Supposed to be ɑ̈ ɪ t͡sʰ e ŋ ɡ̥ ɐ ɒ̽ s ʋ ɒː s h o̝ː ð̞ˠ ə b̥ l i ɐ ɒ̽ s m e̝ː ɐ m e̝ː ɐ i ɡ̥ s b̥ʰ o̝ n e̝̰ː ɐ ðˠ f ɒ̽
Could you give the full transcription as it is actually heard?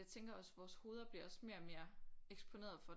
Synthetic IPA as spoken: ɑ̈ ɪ t͡sʰ e ŋ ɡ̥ ɐ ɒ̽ s ʋ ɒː s h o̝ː ð̞ˠ ɐ b̥ l i ɐ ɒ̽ s m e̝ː ɐ m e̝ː ɐ e ɡ̥ s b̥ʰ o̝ n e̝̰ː ɐ ðˠ f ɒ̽

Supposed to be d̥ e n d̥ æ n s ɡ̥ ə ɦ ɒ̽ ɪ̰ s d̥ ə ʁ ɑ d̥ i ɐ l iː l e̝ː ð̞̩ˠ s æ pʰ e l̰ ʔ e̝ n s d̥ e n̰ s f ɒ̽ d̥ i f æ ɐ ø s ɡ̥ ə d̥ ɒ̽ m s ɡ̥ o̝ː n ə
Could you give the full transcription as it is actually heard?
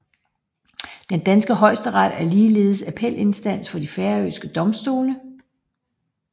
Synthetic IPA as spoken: d̥ e n d̥ æ n s ɡ̥ ə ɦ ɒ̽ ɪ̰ s d̥ ə ʁ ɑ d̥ æ ɐ l iː l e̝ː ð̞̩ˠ s æ pʰ e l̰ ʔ e̝ n s d̥ æ n̰ s f ɒ̽ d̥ i f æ ɐ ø s ɡ̥ ə d̥ ɒ̽ m s d̥ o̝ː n ə

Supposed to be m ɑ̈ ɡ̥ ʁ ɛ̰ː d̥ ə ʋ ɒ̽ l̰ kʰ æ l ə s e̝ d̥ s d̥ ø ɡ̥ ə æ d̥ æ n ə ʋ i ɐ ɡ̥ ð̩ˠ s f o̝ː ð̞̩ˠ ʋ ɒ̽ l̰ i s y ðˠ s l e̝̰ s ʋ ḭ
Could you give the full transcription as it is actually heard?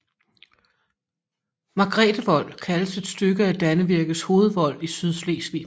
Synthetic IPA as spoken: m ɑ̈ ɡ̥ ʁ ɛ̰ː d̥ ə ʋ ɒ̽ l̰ kʰ æ l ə s e̝ d̥ s d̥ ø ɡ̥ ə æ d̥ æ n ə ʋ i ɐ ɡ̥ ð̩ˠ s h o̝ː ð̞̩ˠ ʋ ɒ̽ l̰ i s y ðˠ s l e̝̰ s ʋ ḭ

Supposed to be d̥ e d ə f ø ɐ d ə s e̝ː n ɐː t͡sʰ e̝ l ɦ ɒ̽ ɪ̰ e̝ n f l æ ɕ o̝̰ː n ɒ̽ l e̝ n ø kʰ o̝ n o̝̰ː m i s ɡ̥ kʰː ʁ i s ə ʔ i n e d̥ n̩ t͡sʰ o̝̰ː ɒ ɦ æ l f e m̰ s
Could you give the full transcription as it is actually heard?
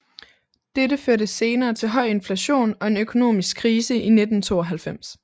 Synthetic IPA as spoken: d̥ e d ə f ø ɐ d ə s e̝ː n ɐː t͡sʰ e̝ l ɦ ɒ̽ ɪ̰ e̝ n f l æ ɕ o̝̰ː n ɒ̽ e̝ n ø kʰ o̝ n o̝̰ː m i s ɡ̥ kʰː ʁ iː s ə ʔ i n e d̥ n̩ t͡sʰ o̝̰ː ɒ ɦ æ l f e m̰ s

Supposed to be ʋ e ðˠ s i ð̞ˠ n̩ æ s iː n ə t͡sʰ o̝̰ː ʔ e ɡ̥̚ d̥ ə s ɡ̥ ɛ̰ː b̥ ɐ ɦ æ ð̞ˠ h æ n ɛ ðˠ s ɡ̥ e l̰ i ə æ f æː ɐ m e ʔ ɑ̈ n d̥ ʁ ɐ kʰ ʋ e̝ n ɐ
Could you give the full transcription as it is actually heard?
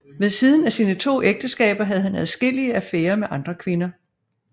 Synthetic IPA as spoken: ʋ e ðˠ s i ð̞ˠ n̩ æ s iː n ə t͡sʰ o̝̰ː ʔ e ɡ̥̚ d̥ ə s ɡ̥ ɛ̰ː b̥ ɐ ɦ æ ð̞ˠ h æ n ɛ ðˠ s ɡ̥ e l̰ i ə æ f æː ɐ m e ʔ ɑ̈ n d̥ ʁ ɐ kʰ ʋ e̝ n ɐ

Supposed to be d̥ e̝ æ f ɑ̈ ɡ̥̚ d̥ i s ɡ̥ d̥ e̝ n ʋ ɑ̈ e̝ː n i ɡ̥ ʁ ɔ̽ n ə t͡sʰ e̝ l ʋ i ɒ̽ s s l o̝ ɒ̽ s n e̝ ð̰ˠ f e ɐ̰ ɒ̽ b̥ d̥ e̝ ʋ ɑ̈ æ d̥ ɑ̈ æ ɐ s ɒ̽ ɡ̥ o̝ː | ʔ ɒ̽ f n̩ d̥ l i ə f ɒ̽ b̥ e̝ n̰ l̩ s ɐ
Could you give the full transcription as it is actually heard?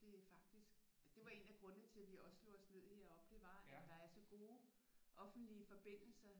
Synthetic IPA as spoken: d̥ e̝ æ f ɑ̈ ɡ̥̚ d̥ i s ɡ̥ d̥ e̝ ʋ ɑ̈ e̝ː n æ ɡ̥ ʁ ɔ̽ n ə t͡sʰ e̝ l ʋ i ɒ̽ s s l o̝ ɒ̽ s n e̝ ð̰ˠ h e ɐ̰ ɒ̽ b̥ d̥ e̝ ʋ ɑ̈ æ d̥ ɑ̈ æ ɐ s ɒ̽ ɡ̥ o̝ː | ʔ ɒ̽ f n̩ d̥ l i ə f ɒ̽ b̥ e̝ n̰ l̩ s ɐ

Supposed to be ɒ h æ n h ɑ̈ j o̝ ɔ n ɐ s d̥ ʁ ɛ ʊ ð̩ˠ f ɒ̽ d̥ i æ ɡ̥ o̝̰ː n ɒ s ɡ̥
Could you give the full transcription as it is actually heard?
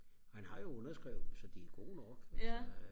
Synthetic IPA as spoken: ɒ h æ n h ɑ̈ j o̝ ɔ n ɐ s ɡ̥ ʁ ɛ ʊ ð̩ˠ s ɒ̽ d̥ i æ ɡ̥ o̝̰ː n ɒ ɡ̥

